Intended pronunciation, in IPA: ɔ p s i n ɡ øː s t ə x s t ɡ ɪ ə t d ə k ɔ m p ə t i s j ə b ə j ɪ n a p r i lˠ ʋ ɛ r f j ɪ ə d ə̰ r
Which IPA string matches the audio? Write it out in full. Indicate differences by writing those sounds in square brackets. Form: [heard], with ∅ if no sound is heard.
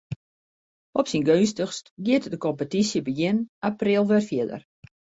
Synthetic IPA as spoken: ɔ p s i n ɡ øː s t ə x s t ɡ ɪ ə t d ə k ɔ m p ə t i s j ə b ə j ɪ n a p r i lˠ ʋ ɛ r f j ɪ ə d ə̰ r